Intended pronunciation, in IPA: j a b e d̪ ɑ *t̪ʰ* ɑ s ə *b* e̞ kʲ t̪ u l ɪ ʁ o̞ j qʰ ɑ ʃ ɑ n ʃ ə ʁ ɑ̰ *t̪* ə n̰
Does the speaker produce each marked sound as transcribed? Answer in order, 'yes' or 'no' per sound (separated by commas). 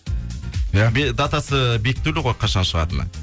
no, yes, yes